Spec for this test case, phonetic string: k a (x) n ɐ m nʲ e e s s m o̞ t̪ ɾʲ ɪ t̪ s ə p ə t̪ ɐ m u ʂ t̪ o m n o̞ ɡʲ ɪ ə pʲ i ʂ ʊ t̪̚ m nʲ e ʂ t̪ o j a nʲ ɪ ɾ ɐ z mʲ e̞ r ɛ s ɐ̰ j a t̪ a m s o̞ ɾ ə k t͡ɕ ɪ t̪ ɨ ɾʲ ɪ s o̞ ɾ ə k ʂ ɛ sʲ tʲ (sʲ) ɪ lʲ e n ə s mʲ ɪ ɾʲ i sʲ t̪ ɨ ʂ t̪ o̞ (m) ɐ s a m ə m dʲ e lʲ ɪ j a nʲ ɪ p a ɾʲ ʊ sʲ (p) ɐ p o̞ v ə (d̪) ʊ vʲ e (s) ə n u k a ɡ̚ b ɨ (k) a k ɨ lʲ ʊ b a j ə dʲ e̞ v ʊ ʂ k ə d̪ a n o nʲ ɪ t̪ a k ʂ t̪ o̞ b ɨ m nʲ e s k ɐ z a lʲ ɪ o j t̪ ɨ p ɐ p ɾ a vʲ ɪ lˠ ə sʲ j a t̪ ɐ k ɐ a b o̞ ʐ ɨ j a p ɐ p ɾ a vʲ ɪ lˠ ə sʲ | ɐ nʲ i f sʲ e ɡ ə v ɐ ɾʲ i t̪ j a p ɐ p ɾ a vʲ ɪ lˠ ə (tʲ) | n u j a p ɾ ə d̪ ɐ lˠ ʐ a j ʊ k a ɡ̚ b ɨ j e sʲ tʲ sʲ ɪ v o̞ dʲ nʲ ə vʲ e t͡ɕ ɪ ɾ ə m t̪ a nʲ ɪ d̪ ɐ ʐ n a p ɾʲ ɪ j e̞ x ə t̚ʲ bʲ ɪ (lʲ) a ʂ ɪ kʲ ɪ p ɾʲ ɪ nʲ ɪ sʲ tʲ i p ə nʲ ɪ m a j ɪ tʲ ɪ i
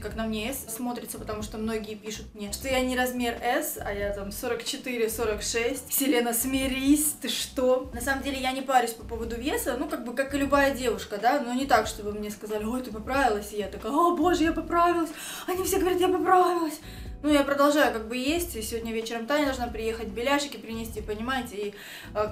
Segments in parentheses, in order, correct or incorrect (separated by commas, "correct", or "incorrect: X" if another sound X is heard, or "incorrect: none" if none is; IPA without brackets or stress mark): incorrect: k, correct, incorrect: n, correct, correct, correct, correct, incorrect: sʲ, correct